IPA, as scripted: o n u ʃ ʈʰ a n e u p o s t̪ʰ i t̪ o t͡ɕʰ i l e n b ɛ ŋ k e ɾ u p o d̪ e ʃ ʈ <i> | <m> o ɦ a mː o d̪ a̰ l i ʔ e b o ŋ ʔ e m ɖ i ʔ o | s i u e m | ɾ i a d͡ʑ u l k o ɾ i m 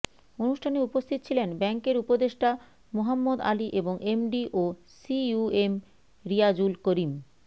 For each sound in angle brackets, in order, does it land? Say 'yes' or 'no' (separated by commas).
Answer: no, yes